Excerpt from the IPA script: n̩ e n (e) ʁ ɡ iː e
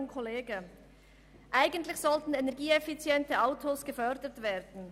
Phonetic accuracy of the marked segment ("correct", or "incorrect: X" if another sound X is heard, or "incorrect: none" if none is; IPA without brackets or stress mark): incorrect: ɛ